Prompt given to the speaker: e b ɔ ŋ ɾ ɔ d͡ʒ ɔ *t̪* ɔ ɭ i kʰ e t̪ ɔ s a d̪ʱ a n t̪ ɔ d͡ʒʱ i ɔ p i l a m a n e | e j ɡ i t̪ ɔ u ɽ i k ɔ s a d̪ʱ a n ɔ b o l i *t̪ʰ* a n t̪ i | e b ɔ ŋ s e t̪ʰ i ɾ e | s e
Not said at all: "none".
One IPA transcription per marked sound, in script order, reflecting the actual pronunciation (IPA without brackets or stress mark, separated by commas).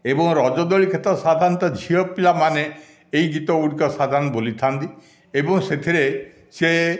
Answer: d̪, t̪ʰ